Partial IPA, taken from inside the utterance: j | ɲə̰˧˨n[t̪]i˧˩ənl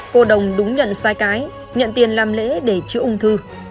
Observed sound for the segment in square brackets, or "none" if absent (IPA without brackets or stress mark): t̪